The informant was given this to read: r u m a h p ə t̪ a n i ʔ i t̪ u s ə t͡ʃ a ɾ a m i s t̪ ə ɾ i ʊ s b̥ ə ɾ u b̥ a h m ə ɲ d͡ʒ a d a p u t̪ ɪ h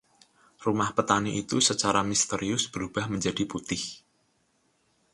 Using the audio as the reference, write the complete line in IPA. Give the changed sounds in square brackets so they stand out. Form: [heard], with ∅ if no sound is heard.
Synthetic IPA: r u m a h p ə t̪ a n i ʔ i t̪ u s ə t͡ʃ a ɾ a m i s t̪ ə ɾ i ʊ s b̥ ə ɾ u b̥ a h m ə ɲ d͡ʒ a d [i] p u t̪ ɪ h